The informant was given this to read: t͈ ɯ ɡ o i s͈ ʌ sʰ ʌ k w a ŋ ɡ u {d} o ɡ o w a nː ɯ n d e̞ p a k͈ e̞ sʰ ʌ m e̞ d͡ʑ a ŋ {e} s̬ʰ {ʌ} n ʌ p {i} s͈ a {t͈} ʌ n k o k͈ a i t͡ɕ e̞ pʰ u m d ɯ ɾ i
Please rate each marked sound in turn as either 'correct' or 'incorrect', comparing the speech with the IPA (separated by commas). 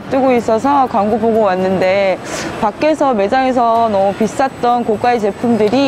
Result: incorrect, correct, correct, correct, correct